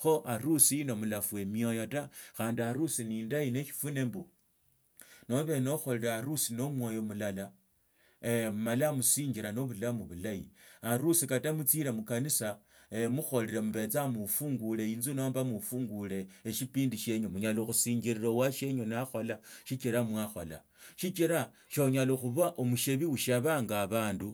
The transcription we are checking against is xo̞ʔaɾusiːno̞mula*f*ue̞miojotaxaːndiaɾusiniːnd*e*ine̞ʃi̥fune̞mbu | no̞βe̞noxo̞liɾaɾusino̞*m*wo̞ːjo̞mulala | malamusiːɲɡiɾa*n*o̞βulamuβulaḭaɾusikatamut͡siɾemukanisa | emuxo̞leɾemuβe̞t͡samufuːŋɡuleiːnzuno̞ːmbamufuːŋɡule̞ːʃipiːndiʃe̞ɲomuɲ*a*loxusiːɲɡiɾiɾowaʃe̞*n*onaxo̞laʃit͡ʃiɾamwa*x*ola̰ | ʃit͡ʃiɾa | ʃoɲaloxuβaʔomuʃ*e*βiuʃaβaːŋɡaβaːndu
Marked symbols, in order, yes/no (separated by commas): yes, no, yes, yes, yes, no, yes, yes